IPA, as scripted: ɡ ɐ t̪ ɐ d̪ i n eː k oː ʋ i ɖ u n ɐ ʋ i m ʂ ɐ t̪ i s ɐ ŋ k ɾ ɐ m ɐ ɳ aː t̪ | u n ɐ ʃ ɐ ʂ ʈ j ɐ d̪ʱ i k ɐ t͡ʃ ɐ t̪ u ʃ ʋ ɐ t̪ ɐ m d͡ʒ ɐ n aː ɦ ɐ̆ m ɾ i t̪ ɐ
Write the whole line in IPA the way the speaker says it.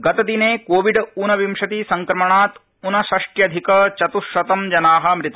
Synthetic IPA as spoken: ɡ ɐ t̪ ɐ d̪ i n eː k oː ʋ i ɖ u n ɐ ʋ i m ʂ ɐ t̪ i s ɐ ŋ k ɾ ɐ m ɐ ɳ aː t̪ | u n ɐ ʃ ɐ ʂ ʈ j ɐ d̪ʱ i k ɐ t͡ʃ ɐ t̪ u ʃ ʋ ɐ t̪ ɐ m d͡ʒ ɐ n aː ɦ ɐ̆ m ɾ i t̪ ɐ